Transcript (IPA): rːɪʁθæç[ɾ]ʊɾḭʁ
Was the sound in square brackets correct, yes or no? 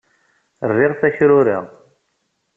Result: yes